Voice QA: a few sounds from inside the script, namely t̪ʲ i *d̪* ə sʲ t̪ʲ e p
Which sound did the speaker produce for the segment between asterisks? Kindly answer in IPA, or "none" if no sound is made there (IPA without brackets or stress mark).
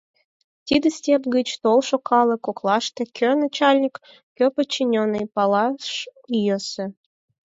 d̪